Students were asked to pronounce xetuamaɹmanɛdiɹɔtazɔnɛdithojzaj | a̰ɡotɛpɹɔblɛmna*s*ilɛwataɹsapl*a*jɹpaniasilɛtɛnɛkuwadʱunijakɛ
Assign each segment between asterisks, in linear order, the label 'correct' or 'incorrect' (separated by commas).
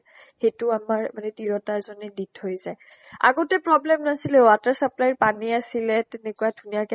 correct, correct